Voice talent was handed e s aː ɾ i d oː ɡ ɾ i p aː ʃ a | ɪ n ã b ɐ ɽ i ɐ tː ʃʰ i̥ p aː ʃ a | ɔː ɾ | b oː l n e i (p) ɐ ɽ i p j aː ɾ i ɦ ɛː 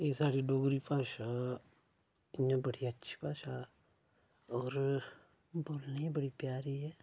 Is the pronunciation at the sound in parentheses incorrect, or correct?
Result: incorrect